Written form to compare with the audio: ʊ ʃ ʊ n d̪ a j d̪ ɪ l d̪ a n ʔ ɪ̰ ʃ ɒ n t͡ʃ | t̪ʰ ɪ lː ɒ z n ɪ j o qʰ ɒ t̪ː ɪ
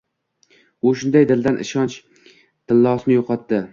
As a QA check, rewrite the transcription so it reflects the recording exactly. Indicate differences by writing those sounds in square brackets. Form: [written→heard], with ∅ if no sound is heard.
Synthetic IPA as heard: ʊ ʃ ʊ n d̪ a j d̪ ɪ l d̪ a n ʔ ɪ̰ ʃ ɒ n t͡ʃ | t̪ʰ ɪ lː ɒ [z→s] n ɪ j o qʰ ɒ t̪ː ɪ